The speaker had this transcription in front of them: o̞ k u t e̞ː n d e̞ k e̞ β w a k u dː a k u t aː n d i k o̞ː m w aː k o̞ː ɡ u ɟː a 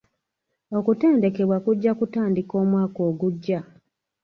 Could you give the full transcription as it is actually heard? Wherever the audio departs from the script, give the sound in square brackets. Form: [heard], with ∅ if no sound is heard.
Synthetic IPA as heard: o̞ k u t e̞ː n d e̞ k e̞ β w a k u [ɟː] a k u t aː n d i k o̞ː m w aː k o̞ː ɡ u ɟː a